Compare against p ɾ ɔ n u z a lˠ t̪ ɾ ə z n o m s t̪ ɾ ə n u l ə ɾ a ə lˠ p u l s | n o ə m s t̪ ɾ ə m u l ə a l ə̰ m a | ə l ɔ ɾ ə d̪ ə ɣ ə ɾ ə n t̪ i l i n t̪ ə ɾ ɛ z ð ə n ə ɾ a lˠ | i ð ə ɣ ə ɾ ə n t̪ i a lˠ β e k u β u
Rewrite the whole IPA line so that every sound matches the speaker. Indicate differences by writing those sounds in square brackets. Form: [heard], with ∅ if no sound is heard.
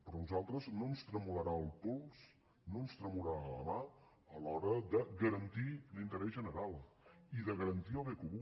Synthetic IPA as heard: p ɾ ɔ n u z a lˠ t̪ ɾ ə z n o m s t̪ ɾ ə [m] u l ə ɾ a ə lˠ p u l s | n o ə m s t̪ ɾ ə m u l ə a l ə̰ m a | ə l ɔ ɾ ə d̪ ə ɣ ə ɾ ə n t̪ i l i n t̪ ə ɾ ɛ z [ʒ] ə n ə ɾ a lˠ | i ð ə ɣ ə ɾ ə n t̪ i [ə] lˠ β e k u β u

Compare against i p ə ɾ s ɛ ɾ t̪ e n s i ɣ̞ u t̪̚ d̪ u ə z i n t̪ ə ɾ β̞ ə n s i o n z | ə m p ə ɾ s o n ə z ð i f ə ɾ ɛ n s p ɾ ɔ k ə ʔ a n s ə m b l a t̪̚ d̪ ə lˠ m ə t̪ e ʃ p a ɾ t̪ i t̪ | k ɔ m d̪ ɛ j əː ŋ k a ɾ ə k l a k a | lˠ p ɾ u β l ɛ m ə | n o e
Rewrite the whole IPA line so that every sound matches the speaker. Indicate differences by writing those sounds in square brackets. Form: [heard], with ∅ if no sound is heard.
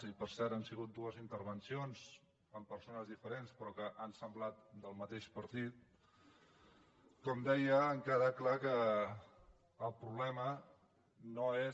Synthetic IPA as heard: i p ə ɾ s ɛ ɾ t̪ [a] n s i ɣ̞ u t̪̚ d̪ u ə z i n t̪ ə ɾ β̞ ə n s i o n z | ə m p ə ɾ s o n ə z ð i f ə ɾ [e] n s p ɾ ɔ k ə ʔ a n s ə m b l a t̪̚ d̪ ə lˠ m ə t̪ e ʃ p [ə] ɾ t̪ i t̪ | k ɔ m d̪ ɛ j əː ŋ k a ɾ ə k l a k [ə] | lˠ p ɾ u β l ɛ m ə | n o e

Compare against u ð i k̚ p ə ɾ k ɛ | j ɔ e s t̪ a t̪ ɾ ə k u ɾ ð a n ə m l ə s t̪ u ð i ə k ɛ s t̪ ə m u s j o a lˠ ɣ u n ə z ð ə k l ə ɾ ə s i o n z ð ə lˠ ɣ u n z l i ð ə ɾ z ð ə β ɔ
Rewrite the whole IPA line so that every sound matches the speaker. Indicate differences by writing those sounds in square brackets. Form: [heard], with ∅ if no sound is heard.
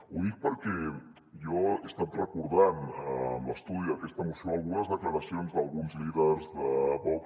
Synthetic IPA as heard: u ð i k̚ p ə ɾ k ɛ | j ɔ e s t̪ a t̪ [r] ə k u ɾ ð a n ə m l ə s t̪ u ð i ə k ɛ s t̪ ə m u s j o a lˠ ɣ u n ə z ð ə k l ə ɾ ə s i o n z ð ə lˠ ɣ u n z l i ð ə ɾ z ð ə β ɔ

